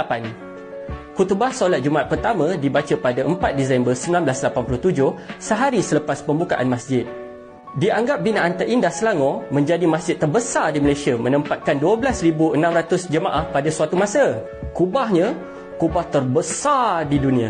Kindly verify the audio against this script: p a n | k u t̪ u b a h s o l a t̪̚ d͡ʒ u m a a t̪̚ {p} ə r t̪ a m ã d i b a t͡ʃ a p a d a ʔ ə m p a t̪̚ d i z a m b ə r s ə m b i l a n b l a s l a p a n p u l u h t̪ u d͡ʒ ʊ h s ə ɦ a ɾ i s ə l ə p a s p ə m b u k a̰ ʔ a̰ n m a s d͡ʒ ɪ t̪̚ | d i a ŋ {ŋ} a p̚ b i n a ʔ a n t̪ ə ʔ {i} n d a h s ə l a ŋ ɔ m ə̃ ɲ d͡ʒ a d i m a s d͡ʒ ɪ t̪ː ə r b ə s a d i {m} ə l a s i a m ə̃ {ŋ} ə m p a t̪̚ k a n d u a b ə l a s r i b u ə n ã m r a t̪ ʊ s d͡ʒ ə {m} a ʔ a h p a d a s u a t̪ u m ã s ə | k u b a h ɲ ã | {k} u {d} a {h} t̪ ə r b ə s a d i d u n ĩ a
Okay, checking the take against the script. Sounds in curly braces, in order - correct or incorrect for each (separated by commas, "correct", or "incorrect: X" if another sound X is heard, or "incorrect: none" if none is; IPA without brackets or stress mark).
correct, incorrect: ɡ, correct, correct, incorrect: n, correct, correct, incorrect: b, correct